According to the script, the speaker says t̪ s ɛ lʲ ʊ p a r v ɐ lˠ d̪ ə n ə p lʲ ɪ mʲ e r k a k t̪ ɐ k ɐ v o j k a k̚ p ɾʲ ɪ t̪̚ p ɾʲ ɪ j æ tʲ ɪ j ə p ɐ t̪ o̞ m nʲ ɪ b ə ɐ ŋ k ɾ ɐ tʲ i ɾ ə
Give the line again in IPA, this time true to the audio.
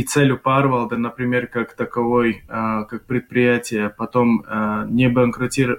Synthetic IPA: t̪ s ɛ lʲ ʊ p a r v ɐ lˠ d̪ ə n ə p ɾʲ ɪ mʲ e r k a k t̪ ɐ k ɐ v o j k a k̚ p ɾʲ ɪ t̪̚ p ɾʲ ɪ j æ tʲ ɪ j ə p ɐ t̪ o̞ m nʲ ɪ b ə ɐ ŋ k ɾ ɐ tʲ i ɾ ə